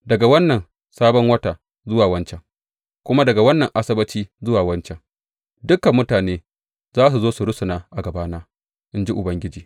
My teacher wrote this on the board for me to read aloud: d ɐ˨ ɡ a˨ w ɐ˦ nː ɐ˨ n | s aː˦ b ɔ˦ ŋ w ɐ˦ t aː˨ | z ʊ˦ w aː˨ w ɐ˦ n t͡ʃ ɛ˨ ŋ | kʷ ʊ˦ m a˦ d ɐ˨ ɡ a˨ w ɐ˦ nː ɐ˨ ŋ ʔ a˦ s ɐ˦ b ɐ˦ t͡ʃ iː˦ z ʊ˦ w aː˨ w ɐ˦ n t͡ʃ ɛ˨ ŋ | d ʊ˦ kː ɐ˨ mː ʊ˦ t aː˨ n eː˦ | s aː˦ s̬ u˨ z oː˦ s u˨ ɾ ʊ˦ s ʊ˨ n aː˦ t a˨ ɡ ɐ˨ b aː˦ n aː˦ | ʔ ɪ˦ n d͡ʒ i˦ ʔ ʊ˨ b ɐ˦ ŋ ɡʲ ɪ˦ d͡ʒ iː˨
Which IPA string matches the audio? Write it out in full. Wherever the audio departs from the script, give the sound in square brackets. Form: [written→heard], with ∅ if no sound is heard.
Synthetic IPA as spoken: d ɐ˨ ɡ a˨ w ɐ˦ nː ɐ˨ n | s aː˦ b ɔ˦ ŋ w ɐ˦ t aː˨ | z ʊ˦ w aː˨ w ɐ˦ n t͡ʃ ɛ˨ ŋ | kʷ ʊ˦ m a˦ d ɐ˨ ɡ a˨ w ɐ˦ nː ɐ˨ ŋ ʔ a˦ s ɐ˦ b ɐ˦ t͡ʃ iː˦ z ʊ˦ w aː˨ w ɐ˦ n t͡ʃ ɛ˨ ŋ | d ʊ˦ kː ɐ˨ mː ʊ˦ t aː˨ n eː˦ | [s→z] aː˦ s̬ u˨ z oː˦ s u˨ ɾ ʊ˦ s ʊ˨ n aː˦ [t→ʔ] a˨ ɡ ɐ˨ b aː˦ n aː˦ | ʔ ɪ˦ n d͡ʒ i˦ ʔ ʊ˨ b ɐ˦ ŋ ɡʲ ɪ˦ d͡ʒ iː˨